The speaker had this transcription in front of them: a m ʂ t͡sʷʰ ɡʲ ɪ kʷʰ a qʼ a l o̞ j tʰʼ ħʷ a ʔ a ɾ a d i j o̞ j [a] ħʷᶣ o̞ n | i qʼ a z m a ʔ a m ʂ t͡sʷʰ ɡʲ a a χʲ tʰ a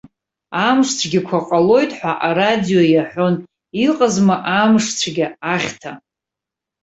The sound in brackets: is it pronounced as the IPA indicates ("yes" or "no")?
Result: yes